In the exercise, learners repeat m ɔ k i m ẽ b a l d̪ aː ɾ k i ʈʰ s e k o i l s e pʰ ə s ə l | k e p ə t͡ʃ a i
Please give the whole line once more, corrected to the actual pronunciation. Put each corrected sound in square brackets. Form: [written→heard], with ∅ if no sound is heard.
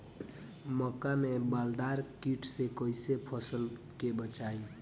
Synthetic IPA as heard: m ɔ k [i→a] m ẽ b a l d̪ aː ɾ k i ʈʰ s e k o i [l→∅] s e pʰ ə s ə l | k e [p→b] ə t͡ʃ a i

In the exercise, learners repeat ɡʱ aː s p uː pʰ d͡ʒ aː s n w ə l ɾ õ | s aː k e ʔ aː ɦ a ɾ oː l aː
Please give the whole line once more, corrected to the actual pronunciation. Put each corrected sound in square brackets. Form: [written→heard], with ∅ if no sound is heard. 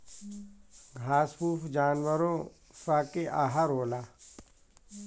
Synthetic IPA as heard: ɡʱ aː s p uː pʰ d͡ʒ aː [s→∅] n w ə [l→∅] ɾ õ | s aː k e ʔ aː ɦ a ɾ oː l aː

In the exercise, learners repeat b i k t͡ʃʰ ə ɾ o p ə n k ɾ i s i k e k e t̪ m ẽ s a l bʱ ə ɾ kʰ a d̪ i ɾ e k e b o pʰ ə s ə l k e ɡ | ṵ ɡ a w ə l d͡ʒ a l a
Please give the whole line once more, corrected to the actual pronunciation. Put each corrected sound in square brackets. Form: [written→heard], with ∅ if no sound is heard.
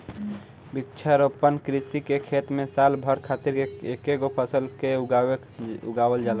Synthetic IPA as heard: b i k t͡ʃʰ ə ɾ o p ə n k ɾ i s i k e [k→kʰ] e t̪ m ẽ s a l bʱ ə ɾ kʰ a [d̪→t̪] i ɾ e k e [b→ɡ] o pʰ ə s ə l k e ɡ | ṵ ɡ a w ə l d͡ʒ a l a

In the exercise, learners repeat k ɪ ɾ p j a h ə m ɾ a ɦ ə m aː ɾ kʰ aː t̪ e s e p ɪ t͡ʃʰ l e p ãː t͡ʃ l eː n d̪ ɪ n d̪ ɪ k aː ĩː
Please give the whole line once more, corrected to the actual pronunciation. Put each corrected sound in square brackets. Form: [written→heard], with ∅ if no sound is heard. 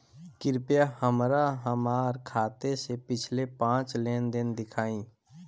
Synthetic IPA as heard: k ɪ ɾ p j a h ə m ɾ a ɦ ə m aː ɾ kʰ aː t̪ e s e p ɪ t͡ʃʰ l e p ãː t͡ʃ l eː n d̪ ɪ n d̪ ɪ [k→kʰ] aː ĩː

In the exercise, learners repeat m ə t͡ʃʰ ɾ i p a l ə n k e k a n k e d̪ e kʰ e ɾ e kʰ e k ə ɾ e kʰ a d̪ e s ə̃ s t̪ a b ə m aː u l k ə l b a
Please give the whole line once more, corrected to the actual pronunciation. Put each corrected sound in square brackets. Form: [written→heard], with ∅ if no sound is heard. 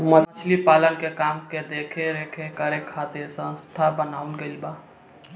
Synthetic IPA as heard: m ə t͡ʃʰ [ɾ→l] i p a l ə n k e k a [n→m] k e d̪ e kʰ e ɾ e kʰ e k ə ɾ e kʰ a [d̪→t̪] e s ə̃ s [t̪→t̪ʰ] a b ə [m→n] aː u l [k→ɡ] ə l b a

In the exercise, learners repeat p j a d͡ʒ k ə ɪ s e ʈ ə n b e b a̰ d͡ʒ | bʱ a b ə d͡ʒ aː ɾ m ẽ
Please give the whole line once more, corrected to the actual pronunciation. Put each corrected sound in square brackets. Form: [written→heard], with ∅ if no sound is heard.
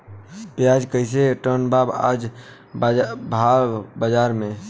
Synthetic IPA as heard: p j a d͡ʒ k ə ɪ s e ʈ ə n b [e→a] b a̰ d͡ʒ | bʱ a b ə d͡ʒ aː ɾ m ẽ

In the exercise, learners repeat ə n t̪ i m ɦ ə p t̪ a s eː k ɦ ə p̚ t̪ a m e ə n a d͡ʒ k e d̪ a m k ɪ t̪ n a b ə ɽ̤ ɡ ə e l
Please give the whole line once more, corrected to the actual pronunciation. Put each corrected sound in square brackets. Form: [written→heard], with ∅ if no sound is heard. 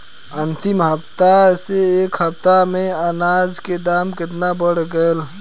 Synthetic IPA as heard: ə n t̪ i m ɦ ə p t̪ a s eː k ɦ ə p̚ t̪ a m e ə n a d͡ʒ k e d̪ a m k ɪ t̪ n a b ə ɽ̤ ɡ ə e l

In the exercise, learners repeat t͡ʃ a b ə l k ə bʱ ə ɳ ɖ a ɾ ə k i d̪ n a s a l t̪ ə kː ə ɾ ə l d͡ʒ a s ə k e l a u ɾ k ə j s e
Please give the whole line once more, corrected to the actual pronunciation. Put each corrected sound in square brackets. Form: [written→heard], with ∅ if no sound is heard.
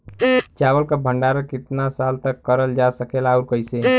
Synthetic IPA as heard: t͡ʃ a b ə l k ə bʱ ə ɳ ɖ a ɾ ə k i [d̪→t̪] n a s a l t̪ ə kː ə ɾ ə l d͡ʒ a s ə k e l a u ɾ k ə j s e

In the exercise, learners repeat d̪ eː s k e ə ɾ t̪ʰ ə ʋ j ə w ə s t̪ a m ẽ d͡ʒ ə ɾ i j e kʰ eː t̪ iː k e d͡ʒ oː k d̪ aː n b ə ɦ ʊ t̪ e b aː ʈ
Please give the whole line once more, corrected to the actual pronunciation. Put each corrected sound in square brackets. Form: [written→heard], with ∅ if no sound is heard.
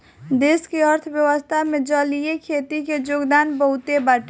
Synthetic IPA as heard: d̪ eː s k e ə ɾ t̪ʰ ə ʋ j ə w ə s [t̪→t̪ʰ] a m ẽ d͡ʒ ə [ɾ→l] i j e kʰ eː t̪ [iː→i] k e d͡ʒ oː [k→ɡ] d̪ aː n b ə ɦ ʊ t̪ e b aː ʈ

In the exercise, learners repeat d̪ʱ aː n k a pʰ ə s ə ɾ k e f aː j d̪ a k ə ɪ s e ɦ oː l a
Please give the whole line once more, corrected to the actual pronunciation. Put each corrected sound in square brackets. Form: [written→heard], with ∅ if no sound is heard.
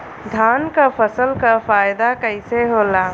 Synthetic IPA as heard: d̪ʱ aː n k a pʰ ə s ə [ɾ→l] k [e→a] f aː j d̪ a k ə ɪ s e ɦ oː l a

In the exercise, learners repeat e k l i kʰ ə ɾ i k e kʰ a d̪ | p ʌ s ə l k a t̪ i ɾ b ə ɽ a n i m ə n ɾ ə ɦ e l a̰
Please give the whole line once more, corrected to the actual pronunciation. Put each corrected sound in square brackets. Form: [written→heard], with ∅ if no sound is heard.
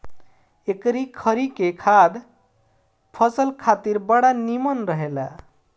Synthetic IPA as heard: e k [l→ɾ] i kʰ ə ɾ i k e kʰ a d̪ | [p→pʰ] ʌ s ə l [k→kʰ] a t̪ i ɾ b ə ɽ a n i m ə n ɾ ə ɦ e l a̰

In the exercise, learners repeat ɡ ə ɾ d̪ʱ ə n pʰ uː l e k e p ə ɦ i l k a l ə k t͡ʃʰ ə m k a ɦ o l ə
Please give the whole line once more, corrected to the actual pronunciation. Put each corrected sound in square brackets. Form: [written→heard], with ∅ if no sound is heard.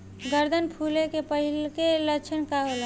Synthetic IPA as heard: ɡ ə ɾ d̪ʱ ə n pʰ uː l e k e p ə ɦ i l k [a→e] l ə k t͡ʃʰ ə [m→n] k a ɦ o l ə

